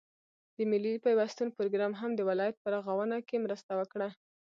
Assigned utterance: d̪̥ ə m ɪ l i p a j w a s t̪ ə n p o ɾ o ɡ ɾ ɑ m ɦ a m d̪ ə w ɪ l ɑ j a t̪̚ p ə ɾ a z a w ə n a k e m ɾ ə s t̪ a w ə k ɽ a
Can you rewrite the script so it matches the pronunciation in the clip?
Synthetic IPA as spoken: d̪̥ ə m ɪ l i p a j w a s t̪ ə n p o ɾ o ɡ ɾ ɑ m ɦ a m d̪ ə w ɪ l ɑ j a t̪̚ p ə ɾ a ɣ a w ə n a k e m ɾ ə s t̪ a w ə k ɽ a

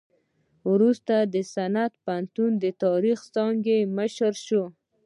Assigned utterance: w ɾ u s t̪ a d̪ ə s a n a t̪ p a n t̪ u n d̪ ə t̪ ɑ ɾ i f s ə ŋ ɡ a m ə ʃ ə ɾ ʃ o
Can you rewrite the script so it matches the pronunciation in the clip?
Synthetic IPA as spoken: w ɾ u s t̪ a d̪ ə s a n a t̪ p a n t̪ u n d̪ ə t̪ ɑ ɾ i x s ɑ ŋ ɡ e m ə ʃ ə ɾ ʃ o

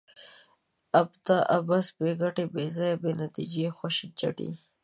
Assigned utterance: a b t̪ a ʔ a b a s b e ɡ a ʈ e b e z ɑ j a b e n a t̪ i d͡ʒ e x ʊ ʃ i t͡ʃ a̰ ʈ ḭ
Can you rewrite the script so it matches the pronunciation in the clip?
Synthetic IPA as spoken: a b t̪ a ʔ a b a s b e ɡ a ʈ e b e z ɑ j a b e n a t̪ i d͡ʒ e x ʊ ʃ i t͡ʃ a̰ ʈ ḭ

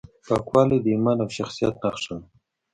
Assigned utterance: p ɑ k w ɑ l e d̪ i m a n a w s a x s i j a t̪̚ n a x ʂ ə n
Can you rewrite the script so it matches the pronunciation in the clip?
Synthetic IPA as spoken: p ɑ k w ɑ l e d̪ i m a n a w ʃ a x s i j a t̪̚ n a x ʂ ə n

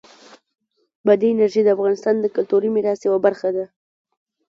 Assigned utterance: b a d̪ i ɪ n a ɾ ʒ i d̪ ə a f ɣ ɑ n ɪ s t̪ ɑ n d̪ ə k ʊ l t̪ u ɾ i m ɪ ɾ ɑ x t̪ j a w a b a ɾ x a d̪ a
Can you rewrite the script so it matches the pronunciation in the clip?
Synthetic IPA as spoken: b a d̪ i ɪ n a ɾ ʒ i d̪ ə a f ɣ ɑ n ɪ s t̪ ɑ n d̪ ə k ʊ l t̪ u ɾ i m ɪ ɾ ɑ s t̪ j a w a b a ɾ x a d̪ a

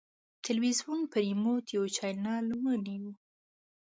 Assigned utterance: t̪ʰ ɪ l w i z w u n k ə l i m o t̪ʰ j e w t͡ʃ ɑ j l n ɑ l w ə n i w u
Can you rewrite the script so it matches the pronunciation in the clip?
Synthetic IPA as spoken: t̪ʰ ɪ l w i z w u n p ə ɾ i m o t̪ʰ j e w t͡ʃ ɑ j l n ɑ l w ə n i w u

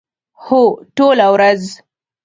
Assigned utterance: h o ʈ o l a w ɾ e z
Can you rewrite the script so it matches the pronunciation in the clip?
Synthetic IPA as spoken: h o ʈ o l a w ɾ a z

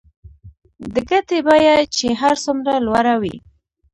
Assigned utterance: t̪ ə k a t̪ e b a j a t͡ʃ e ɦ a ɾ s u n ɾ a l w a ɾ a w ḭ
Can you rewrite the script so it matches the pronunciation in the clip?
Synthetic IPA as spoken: d̪ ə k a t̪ e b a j a t͡ʃ e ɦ a ɾ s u m ɾ a l w a ɾ a w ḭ

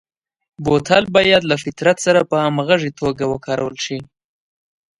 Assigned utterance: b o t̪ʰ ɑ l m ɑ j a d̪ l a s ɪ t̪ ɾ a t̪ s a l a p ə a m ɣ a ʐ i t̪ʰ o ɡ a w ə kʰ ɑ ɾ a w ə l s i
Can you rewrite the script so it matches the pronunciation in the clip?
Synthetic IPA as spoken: b o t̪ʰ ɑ l b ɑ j a d̪ l a f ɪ t̪ ɾ a t̪ s a ɾ a p ə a m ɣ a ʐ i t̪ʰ o ɡ a w ə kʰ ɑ ɾ a w ə l ʃ i

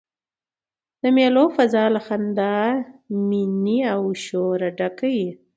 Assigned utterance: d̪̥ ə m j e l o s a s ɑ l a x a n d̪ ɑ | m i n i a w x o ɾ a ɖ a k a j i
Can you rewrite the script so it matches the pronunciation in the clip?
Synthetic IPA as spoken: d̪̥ ə m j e l o f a z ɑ l a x a n d̪ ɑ | m i n i a w ʃ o ɾ a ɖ a k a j i

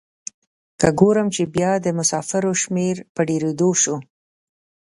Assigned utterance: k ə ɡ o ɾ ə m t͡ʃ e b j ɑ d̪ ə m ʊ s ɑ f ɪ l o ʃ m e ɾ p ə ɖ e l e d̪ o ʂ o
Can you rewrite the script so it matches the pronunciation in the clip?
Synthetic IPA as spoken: k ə ɡ o ɾ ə m t͡ʃ e b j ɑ d̪ ə m ʊ s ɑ f ɪ ɾ o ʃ m e ɾ p ə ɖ e ɾ e d̪ o ʃ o

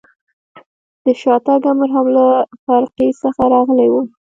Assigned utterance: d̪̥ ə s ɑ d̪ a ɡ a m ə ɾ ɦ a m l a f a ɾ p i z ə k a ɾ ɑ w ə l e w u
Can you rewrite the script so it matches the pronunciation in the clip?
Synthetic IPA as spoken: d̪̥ ə ʃ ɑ t̪ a ɡ a m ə ɾ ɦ a m l a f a ɾ q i s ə x a ɾ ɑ ɣ ə l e w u

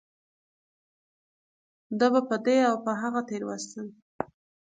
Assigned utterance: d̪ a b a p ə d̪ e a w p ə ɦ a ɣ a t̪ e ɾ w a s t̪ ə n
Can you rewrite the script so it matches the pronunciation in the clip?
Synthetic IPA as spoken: d̪ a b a p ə d̪ e a w p ə ɦ a ɣ a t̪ e ɾ w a s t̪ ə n

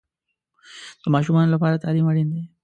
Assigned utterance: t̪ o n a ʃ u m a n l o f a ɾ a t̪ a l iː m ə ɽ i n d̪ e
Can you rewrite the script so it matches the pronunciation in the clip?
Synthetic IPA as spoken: t̪ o m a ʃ u m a n l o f a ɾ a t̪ a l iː m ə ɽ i n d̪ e

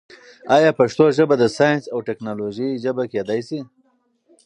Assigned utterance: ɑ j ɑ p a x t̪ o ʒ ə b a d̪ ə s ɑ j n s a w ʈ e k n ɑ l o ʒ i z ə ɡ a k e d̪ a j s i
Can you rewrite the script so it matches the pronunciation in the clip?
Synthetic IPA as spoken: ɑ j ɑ p a ʂ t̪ o ʒ ə b a d̪ ə s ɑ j n s a w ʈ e k n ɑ l o ʒ i ʒ ə b a k e d̪ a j s i

